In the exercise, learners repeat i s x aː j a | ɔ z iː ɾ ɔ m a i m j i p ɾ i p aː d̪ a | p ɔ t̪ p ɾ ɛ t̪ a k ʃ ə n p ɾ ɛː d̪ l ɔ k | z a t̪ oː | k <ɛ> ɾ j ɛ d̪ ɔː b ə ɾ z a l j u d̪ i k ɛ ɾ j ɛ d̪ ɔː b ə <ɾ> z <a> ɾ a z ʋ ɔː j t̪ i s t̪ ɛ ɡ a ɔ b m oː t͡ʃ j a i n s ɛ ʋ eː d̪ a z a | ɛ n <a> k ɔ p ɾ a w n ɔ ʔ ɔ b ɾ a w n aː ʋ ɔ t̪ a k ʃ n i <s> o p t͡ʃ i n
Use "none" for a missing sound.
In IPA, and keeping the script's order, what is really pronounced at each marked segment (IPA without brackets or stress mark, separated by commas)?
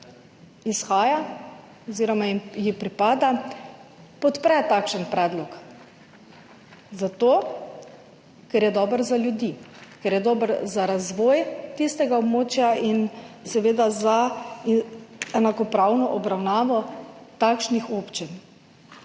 ɛ, ɾ, a, a, x